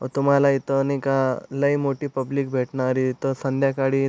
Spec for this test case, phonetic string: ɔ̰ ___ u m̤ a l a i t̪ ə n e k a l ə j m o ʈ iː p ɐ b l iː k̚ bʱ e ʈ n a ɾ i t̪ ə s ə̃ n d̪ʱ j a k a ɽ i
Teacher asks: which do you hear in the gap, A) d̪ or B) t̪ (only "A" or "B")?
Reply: B